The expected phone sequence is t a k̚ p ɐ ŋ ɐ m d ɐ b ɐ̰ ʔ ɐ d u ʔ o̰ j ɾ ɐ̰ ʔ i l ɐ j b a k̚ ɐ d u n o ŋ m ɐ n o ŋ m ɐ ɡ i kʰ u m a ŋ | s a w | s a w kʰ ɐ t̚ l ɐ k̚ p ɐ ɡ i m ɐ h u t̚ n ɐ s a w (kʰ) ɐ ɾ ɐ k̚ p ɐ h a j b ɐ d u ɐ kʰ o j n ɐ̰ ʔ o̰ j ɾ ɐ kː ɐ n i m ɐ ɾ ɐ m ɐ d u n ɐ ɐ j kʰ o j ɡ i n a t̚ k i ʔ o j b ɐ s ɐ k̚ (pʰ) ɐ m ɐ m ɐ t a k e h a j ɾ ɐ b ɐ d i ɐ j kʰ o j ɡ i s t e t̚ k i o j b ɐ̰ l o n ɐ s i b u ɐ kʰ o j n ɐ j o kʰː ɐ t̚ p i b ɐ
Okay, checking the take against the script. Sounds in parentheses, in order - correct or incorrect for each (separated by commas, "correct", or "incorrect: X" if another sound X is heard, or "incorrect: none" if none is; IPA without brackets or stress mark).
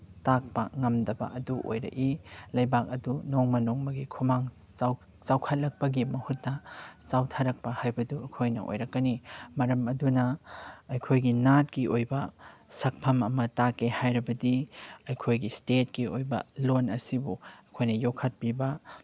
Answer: incorrect: tʰ, correct